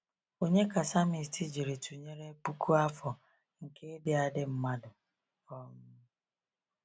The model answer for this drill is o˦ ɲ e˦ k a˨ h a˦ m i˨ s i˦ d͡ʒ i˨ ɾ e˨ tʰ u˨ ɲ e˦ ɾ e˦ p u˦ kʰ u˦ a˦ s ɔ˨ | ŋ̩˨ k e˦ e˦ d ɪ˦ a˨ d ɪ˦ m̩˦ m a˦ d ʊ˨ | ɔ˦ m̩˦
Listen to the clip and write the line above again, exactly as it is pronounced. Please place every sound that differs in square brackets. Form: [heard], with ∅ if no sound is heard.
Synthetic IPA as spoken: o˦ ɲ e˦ k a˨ [s] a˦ m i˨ [t] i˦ d͡ʒ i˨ ɾ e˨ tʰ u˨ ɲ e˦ ɾ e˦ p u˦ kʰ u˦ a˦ [f] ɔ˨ | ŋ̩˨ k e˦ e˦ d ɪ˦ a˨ d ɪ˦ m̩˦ m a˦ d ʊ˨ | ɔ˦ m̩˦